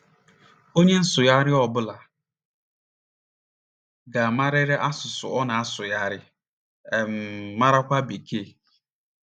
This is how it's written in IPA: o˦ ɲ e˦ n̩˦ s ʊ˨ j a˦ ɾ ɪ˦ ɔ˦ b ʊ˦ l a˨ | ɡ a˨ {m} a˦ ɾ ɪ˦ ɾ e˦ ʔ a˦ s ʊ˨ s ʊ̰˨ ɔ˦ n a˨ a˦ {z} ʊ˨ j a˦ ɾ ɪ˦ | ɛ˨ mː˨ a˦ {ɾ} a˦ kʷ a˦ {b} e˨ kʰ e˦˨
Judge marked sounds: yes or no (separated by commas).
yes, no, yes, yes